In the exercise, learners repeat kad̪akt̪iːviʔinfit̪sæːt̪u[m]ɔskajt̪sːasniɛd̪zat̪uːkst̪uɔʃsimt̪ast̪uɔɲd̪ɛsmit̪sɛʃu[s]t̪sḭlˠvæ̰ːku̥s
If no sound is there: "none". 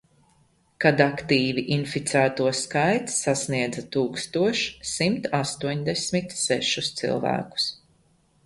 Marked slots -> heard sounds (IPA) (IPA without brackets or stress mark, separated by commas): none, s